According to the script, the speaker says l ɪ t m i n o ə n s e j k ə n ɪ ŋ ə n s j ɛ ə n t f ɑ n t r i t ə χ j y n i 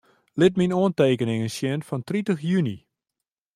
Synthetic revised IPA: l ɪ t m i n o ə n t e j k ə n ɪ ŋ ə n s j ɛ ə n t f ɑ n t r i t ə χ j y n i